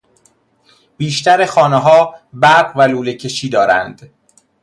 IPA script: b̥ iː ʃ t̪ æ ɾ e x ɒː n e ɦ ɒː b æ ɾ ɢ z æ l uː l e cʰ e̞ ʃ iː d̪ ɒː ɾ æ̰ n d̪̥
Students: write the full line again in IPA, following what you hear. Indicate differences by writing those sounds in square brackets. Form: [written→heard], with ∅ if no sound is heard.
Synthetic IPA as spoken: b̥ iː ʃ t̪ æ ɾ e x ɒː n e ɦ ɒː b æ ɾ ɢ [z→v] æ l uː l e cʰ e̞ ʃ iː d̪ ɒː ɾ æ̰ n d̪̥

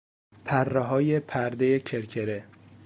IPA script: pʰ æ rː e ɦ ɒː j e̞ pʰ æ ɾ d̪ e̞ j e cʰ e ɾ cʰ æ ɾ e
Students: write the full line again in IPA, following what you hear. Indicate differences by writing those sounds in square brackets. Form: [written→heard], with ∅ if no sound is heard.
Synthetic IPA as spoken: pʰ æ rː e ɦ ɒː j e̞ pʰ æ ɾ d̪ e̞ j e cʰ e ɾ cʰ [æ→e] ɾ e

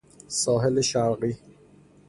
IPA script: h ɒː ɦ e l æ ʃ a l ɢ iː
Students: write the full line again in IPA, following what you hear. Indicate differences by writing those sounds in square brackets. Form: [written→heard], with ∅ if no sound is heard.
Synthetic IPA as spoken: [h→s] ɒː ɦ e l [æ→e] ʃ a [l→ɾ] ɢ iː

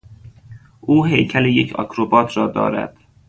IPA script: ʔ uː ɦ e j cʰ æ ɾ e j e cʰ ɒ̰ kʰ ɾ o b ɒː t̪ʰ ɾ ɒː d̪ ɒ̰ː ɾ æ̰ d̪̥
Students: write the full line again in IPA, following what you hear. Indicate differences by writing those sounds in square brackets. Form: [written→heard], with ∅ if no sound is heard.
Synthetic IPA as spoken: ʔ uː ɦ e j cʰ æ [ɾ→l] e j e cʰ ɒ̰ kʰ ɾ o b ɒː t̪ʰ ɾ ɒː d̪ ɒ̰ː ɾ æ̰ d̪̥

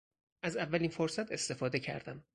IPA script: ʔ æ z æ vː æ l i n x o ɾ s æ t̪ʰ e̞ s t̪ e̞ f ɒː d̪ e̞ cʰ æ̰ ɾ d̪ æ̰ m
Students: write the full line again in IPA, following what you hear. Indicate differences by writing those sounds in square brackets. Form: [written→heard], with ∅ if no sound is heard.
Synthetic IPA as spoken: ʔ æ z æ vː æ l i n [x→f] o ɾ s æ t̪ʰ e̞ s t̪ e̞ f ɒː d̪ e̞ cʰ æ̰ ɾ d̪ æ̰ m

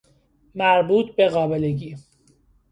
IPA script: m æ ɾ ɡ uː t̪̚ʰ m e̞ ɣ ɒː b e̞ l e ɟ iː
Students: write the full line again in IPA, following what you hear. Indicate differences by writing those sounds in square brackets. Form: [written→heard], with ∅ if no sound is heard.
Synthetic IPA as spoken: m æ ɾ [ɡ→b] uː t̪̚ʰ [m→b] e̞ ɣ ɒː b e̞ l e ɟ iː

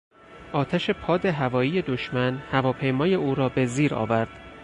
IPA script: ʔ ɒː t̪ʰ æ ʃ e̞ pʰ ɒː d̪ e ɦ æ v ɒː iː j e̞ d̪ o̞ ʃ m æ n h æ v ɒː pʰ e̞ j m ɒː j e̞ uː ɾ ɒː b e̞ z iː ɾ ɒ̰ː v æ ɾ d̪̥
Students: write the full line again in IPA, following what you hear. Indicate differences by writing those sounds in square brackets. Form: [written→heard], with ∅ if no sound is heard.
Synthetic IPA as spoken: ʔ ɒː t̪ʰ æ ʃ e̞ pʰ ɒː d̪ e ɦ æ v ɒː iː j e̞ d̪ o̞ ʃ m æ n h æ v ɒː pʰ e̞ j m ɒː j e̞ uː ɾ ɒː b e̞ z iː ɾ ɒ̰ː v æ ɾ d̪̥

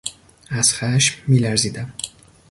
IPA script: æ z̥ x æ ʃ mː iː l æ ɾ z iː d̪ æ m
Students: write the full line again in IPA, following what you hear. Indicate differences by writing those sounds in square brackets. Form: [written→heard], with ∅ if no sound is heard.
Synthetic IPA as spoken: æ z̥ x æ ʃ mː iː l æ ɾ z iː d̪ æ m

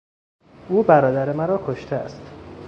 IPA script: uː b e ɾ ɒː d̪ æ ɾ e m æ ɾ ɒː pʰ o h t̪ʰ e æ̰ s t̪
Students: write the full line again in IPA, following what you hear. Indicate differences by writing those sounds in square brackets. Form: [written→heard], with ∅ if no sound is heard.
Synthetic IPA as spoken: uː b [e→æ] ɾ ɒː d̪ æ ɾ e m æ ɾ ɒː [pʰ→kʰ] o [h→ʃ] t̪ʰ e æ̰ s t̪

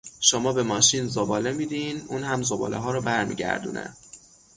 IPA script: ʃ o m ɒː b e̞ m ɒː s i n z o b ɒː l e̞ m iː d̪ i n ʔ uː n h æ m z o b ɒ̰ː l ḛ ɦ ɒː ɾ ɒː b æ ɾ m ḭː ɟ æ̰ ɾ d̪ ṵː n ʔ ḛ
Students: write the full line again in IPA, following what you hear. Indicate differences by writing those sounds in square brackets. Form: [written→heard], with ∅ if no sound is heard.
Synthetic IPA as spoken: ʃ o m ɒː b e̞ m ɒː [s→ʃ] i n z o b ɒː l e̞ m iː d̪ i n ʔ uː n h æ m z o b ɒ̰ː l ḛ ɦ ɒː ɾ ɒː b æ ɾ m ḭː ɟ æ̰ ɾ d̪ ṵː n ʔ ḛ

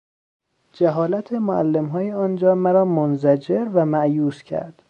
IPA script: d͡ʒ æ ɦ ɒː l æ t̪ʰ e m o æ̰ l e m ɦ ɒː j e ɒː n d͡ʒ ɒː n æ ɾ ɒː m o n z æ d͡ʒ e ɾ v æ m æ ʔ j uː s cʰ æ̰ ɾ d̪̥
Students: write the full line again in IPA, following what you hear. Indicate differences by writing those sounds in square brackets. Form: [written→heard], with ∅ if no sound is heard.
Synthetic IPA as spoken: d͡ʒ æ ɦ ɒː l æ t̪ʰ e m o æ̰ [l→lː] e m ɦ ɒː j e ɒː n d͡ʒ ɒː [n→m] æ ɾ ɒː m o n z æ d͡ʒ e ɾ v æ m æ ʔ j uː s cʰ æ̰ ɾ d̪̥

